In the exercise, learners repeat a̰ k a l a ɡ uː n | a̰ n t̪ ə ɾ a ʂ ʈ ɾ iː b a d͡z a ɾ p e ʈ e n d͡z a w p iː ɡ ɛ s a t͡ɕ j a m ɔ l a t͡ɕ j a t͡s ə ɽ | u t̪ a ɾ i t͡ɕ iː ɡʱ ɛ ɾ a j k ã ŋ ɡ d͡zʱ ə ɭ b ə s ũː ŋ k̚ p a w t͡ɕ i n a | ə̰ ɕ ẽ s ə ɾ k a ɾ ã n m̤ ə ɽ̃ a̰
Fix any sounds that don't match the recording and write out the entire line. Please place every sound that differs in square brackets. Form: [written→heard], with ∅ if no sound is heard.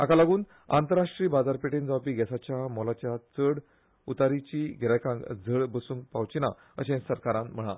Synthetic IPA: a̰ k a l a ɡ uː n | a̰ n t̪ ə ɾ a ʂ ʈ ɾ iː b a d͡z a ɾ p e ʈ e n d͡z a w p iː ɡ ɛ s a t͡ɕ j a m ɔ l a t͡ɕ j a t͡s ə ɽ | u t̪ a ɾ i t͡ɕ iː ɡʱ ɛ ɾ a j k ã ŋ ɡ d͡zʱ ə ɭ b ə s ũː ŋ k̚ p a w t͡ɕ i n a | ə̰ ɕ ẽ s ə ɾ k a ɾ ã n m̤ ə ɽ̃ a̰